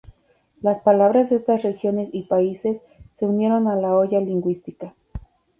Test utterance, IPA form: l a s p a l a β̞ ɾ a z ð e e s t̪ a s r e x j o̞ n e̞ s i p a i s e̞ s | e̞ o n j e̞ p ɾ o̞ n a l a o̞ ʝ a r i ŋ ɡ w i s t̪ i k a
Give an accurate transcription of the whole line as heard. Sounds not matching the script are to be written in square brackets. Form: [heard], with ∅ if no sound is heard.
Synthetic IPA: l a s p a l a β̞ ɾ a z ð e e s t̪ a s r e x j o̞ n e̞ s i p a i s e̞ [sː] | e̞ [u] n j e̞ [∅] ɾ o̞ n a l a o̞ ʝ a [l] i ŋ ɡ w i s t̪ i k a